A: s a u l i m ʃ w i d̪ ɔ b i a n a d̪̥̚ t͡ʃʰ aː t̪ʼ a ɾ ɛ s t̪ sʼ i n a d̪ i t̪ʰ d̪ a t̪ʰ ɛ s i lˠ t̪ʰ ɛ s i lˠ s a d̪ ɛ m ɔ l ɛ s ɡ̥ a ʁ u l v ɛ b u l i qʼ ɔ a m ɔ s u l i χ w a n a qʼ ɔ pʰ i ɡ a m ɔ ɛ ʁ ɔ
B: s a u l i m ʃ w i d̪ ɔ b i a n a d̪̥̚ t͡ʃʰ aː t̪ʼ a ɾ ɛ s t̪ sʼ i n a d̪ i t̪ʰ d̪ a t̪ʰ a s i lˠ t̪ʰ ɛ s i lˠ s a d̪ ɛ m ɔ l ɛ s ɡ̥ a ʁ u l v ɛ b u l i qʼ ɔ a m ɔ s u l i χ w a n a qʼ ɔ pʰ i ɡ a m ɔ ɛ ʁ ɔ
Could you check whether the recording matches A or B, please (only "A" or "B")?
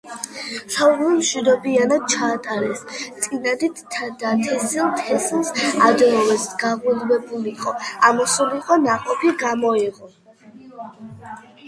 A